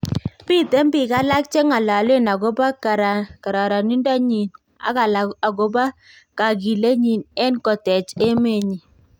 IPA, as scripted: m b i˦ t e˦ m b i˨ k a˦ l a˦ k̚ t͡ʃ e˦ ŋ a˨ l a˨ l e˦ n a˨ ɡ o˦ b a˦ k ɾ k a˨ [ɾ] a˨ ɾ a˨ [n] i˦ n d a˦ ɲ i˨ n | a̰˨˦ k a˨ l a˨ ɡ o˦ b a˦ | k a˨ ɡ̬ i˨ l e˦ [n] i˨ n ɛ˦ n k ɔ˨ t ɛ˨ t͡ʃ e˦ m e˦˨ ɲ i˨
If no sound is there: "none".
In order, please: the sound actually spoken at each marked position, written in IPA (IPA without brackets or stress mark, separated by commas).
ɾ, n, ɲ